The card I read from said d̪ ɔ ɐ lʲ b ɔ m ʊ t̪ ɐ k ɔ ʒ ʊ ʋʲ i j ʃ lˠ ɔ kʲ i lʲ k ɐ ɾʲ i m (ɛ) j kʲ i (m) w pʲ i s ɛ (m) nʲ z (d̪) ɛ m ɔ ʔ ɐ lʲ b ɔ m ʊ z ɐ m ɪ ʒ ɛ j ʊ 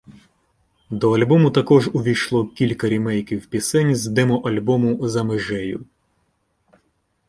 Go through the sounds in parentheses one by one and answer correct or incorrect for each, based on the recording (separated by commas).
correct, incorrect, incorrect, correct